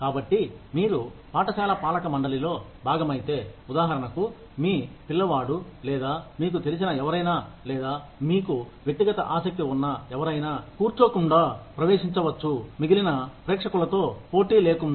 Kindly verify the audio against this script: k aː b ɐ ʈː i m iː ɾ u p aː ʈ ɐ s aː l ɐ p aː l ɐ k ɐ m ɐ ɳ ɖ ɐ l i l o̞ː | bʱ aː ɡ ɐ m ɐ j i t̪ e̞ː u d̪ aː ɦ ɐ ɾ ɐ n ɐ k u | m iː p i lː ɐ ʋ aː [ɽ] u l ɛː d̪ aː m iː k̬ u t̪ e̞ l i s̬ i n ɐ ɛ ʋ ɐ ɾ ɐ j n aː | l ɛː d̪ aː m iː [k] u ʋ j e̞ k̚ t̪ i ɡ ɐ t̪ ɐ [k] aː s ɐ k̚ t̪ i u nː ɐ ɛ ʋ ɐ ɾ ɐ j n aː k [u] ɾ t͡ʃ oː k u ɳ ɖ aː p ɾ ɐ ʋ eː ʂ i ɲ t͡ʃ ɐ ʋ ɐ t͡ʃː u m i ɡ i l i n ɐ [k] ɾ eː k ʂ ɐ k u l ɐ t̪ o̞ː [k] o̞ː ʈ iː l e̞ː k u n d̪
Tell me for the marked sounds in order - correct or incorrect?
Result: correct, correct, incorrect: ʔ, incorrect: uː, incorrect: p, incorrect: p

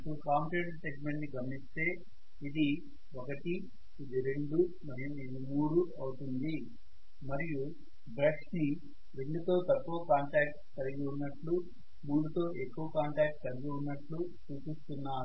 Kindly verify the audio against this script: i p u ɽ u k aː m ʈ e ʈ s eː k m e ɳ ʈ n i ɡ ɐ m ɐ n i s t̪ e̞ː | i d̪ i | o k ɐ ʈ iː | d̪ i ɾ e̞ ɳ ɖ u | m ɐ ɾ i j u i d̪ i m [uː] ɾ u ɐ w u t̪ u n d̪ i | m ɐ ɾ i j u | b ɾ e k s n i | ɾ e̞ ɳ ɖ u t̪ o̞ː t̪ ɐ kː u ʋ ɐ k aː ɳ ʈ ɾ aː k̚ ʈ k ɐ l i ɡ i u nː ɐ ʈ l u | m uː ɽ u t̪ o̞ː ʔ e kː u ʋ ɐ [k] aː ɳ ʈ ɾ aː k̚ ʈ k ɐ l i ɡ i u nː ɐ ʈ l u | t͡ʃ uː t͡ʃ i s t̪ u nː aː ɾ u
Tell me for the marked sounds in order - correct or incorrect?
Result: correct, correct

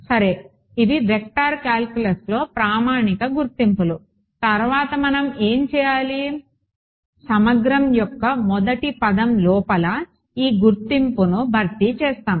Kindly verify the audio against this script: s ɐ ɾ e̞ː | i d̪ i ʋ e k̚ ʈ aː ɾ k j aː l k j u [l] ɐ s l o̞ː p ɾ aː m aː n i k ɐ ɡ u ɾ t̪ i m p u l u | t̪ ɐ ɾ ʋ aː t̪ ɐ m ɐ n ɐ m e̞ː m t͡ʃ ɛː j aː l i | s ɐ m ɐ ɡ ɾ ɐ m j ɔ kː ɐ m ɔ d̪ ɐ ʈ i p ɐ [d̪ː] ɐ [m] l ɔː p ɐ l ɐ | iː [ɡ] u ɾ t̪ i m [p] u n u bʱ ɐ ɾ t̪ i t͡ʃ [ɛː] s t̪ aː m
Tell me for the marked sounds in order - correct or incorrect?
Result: correct, incorrect: d̪, correct, correct, correct, correct

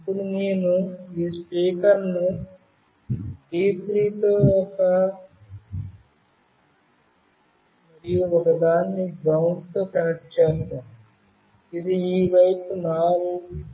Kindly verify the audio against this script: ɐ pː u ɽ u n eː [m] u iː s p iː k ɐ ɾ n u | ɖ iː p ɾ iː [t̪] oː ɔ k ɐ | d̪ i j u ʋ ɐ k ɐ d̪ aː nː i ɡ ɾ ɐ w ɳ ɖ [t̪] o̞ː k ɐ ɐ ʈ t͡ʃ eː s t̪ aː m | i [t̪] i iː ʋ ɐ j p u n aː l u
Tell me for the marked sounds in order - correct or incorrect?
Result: incorrect: n, correct, correct, incorrect: d̪

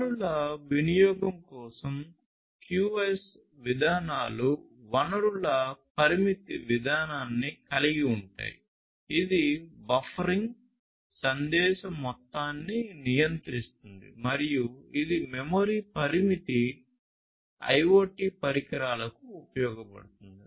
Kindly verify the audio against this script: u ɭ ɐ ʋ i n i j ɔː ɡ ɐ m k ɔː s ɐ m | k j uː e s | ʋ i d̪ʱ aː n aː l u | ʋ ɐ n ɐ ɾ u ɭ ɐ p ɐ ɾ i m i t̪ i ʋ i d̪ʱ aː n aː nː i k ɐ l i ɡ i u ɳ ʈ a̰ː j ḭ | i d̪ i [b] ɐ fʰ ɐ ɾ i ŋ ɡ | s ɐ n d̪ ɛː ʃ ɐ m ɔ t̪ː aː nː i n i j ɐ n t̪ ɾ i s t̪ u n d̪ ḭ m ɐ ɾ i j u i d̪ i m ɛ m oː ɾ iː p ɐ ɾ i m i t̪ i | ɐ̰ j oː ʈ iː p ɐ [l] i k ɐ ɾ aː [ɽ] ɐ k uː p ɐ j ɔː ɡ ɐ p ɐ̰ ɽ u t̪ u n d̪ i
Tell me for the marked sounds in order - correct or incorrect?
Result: correct, incorrect: ɾ, incorrect: l

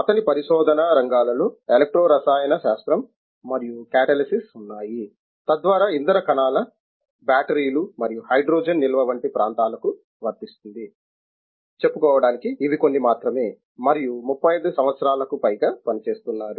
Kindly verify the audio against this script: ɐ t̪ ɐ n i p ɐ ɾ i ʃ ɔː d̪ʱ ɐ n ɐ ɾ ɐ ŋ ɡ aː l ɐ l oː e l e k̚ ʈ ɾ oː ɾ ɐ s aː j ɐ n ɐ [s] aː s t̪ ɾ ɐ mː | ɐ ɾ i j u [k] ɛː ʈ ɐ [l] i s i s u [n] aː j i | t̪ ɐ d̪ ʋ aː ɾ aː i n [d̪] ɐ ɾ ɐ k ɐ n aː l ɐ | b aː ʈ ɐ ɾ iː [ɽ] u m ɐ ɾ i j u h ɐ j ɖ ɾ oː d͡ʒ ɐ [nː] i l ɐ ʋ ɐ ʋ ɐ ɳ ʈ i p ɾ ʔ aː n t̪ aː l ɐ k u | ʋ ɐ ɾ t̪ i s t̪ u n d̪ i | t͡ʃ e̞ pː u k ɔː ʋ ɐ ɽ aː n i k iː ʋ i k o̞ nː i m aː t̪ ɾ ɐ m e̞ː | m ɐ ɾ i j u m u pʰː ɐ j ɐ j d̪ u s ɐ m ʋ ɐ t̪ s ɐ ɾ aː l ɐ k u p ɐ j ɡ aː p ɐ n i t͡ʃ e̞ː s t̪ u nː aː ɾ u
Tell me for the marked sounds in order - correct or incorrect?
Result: incorrect: ʃ, correct, correct, incorrect: nː, correct, incorrect: l, correct

